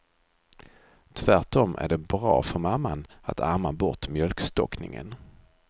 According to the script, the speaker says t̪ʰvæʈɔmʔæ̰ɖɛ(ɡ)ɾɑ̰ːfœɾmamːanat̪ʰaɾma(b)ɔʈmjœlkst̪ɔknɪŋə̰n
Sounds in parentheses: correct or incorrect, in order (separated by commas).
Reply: incorrect, correct